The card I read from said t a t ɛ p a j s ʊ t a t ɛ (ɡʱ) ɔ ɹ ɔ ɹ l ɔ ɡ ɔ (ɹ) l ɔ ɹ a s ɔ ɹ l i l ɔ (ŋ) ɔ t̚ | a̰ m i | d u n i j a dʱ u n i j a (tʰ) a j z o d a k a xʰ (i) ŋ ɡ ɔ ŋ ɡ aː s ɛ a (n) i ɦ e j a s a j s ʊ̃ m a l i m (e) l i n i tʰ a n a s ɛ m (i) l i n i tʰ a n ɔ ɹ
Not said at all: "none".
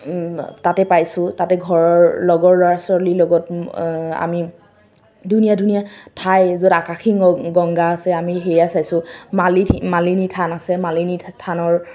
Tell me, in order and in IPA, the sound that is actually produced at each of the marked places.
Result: ɡʱ, ɹ, ɡ, tʰ, i, m, a, a

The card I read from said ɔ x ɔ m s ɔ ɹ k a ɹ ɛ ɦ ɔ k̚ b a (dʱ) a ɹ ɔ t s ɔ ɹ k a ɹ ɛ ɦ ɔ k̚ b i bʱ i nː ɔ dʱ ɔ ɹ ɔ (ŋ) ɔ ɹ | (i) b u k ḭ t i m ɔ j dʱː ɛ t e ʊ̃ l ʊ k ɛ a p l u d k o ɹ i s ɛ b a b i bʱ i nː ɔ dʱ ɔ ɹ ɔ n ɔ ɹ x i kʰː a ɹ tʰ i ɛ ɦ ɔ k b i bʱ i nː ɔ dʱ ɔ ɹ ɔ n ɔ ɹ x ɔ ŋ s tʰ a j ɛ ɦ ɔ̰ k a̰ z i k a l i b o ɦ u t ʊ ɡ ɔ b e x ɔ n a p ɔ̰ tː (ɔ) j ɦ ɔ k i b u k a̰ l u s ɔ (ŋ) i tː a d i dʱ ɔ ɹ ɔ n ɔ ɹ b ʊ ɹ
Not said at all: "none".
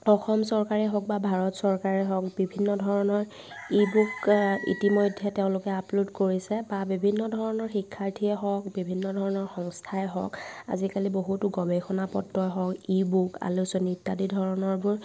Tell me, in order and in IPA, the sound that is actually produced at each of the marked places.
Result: bʱ, n, i, ɔ, n

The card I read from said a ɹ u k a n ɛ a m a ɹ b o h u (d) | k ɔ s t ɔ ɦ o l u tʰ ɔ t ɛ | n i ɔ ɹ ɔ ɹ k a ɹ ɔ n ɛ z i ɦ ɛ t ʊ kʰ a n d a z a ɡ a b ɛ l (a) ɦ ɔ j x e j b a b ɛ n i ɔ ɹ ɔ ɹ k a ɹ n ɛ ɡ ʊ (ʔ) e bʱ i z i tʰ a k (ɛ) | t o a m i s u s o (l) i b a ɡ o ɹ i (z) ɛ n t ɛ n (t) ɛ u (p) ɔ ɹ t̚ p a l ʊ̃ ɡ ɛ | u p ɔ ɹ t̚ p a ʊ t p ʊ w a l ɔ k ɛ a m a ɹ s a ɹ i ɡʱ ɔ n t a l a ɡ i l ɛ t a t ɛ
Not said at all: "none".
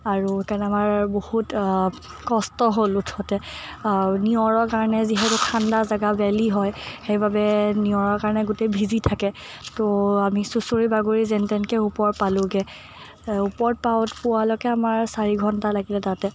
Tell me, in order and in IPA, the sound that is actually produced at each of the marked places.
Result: t, i, t, ɛ, ɹ, z, k, p

